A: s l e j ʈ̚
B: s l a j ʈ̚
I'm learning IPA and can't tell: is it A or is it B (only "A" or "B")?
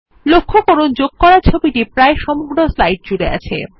B